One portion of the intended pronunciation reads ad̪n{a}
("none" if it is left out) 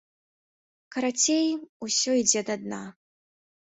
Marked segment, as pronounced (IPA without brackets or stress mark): a